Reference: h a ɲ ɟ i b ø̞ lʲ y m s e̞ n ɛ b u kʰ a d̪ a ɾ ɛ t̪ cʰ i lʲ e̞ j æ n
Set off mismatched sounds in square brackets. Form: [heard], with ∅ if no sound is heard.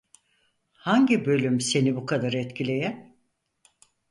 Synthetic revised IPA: h a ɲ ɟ i b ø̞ lʲ y m s e̞ n [i] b u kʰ a d̪ a ɾ ɛ t̪ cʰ i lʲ e̞ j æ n